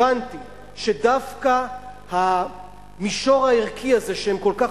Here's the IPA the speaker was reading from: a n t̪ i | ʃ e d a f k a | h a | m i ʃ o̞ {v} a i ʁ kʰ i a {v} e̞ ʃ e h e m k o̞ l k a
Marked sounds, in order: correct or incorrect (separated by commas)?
incorrect, incorrect